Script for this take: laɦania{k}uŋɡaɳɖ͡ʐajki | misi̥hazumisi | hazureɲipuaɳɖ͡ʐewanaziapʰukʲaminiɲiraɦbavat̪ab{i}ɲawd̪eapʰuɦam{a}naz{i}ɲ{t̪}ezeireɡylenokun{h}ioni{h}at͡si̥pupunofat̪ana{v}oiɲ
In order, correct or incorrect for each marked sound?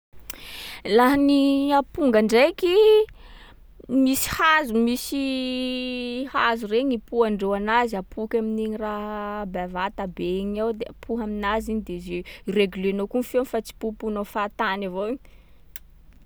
incorrect, incorrect, incorrect, correct, incorrect, incorrect, incorrect, correct

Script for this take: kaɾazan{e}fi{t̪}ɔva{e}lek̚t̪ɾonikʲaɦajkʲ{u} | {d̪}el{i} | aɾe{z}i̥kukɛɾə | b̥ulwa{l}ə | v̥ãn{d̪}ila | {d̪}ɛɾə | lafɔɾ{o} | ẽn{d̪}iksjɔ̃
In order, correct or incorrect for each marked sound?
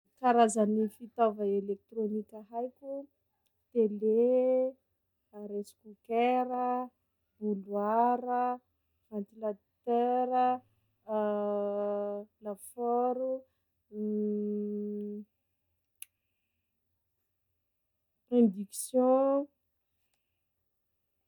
incorrect, correct, correct, correct, incorrect, incorrect, incorrect, incorrect, incorrect, incorrect, incorrect, correct

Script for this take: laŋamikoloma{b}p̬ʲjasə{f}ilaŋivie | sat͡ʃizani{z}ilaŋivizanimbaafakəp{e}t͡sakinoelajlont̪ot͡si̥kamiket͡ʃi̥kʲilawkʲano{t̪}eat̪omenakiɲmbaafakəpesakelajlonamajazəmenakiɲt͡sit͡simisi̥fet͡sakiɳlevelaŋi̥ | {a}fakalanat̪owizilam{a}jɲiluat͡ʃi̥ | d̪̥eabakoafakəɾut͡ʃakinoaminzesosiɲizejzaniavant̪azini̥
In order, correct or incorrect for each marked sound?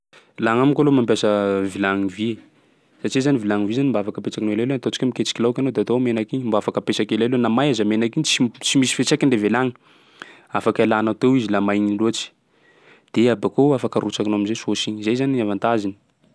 incorrect, incorrect, incorrect, correct, incorrect, correct, correct

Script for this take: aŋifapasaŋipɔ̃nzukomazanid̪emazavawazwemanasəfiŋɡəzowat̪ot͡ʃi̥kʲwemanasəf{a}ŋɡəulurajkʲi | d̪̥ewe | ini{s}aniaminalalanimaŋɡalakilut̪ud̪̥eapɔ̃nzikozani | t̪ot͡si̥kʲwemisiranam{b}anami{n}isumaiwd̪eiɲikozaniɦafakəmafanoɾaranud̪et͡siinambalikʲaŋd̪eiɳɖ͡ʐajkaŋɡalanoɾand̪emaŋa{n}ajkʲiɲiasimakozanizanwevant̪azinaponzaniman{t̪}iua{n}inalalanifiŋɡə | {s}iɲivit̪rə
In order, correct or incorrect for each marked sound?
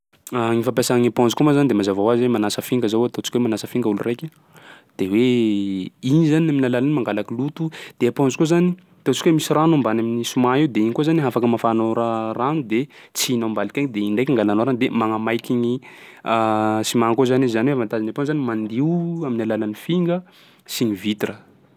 incorrect, incorrect, correct, correct, incorrect, incorrect, incorrect, correct

